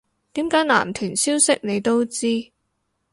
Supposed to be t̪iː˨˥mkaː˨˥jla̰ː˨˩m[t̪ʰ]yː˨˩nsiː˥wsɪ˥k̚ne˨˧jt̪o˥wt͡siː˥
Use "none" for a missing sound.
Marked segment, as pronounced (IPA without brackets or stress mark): t̪ʰ